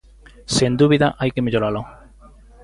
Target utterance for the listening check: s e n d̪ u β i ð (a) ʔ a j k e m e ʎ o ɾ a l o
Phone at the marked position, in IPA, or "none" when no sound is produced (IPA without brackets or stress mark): a